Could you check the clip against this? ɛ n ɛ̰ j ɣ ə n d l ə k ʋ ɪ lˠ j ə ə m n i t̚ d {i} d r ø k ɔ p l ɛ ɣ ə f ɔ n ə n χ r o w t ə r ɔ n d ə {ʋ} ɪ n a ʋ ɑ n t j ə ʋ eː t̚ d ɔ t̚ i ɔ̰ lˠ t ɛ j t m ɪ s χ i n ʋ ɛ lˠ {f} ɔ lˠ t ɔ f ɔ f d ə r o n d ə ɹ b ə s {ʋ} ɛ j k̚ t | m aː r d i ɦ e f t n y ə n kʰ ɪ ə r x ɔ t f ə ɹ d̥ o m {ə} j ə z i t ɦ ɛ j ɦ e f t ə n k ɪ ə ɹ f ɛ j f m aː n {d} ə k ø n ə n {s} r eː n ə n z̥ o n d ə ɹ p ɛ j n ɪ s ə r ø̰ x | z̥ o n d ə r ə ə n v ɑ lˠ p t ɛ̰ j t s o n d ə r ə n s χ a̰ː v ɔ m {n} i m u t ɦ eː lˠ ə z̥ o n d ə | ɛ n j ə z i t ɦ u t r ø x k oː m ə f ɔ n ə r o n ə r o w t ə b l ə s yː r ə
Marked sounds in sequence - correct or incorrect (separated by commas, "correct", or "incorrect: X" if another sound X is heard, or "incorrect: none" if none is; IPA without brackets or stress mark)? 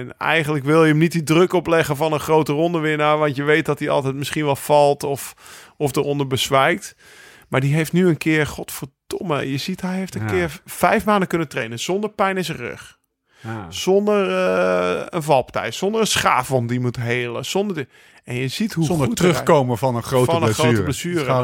correct, correct, correct, correct, correct, correct, incorrect: t, incorrect: d